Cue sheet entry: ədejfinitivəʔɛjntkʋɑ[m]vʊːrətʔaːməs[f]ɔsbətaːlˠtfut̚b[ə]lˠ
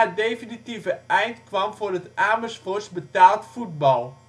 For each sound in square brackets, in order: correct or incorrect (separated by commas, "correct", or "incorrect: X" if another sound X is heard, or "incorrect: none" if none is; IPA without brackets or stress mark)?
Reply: correct, correct, incorrect: ɑ